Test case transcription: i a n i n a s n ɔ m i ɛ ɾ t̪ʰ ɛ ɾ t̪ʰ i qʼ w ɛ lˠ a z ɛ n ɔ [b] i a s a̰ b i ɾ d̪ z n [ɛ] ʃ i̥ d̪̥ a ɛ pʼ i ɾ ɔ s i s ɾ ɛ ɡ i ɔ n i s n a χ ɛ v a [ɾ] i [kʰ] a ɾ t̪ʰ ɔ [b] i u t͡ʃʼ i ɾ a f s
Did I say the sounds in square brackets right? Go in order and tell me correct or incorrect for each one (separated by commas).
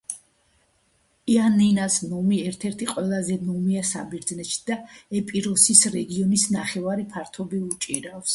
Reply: incorrect, correct, correct, incorrect, correct